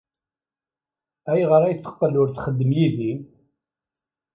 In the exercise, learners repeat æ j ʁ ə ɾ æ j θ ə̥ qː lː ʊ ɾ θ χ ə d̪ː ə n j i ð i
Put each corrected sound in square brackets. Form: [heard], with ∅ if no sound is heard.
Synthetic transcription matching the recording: æ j ʁ ə ɾ æ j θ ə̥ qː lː ʊ ɾ θ χ ə d̪ː ə [m] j i ð i